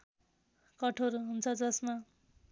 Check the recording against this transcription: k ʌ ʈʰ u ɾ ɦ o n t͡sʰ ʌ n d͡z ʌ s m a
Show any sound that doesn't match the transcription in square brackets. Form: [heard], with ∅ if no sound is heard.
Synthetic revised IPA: k ʌ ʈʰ [o] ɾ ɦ [u] n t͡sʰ ʌ [∅] d͡z ʌ s m a